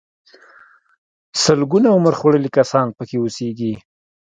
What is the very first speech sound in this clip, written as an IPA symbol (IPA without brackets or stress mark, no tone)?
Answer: s